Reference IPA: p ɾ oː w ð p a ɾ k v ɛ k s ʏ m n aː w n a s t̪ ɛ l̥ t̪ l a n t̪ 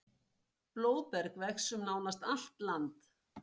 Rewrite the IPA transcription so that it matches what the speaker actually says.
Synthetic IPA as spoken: p l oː w ð p ɛ ɾ k v ɛ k s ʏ m n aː w n a s t̪ a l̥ t̪ l a n t̪